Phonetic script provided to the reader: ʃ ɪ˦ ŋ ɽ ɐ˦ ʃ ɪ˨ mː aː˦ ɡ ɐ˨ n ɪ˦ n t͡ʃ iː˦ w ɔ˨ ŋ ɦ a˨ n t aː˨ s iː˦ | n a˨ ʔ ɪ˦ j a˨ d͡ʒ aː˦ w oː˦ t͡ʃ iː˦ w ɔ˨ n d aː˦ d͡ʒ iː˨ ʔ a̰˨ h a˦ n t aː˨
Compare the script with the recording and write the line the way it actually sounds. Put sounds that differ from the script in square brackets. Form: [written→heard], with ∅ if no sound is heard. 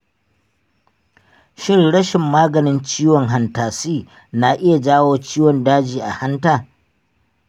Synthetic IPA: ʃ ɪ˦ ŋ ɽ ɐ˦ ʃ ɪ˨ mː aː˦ ɡ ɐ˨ n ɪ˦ n t͡ʃ iː˦ w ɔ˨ ŋ ɦ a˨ n t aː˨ s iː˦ | n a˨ ʔ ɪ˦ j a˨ d͡ʒ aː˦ w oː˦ t͡ʃ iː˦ w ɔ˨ n d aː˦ d͡ʒ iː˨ ʔ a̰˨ h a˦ n t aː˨